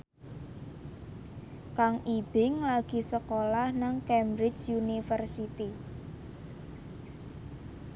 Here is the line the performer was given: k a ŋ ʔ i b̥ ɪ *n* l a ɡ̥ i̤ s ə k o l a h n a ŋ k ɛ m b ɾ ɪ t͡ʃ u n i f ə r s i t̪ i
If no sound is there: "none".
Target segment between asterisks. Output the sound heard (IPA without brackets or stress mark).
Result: ŋ